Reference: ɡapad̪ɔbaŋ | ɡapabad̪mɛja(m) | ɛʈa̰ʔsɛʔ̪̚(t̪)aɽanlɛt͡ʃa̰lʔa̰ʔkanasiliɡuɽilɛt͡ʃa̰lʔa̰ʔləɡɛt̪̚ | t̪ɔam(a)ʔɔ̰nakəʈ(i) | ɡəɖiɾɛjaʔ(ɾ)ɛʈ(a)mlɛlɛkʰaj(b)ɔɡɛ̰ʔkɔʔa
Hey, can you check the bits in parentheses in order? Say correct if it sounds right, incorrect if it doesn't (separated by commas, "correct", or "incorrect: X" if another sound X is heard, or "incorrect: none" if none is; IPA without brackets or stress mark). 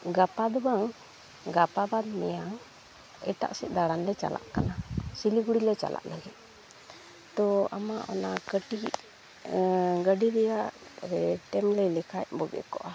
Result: incorrect: ŋ, incorrect: d̪, correct, correct, correct, incorrect: ɛ, correct